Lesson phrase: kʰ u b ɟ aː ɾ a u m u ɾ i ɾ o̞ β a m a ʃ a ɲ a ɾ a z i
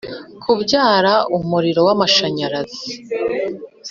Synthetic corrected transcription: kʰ u b ɟ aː ɾ a u m u ɾ i ɾ o̞ w a m a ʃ a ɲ a ɾ a z i